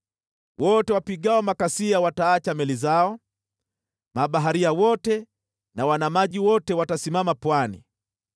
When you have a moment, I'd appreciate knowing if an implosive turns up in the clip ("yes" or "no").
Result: yes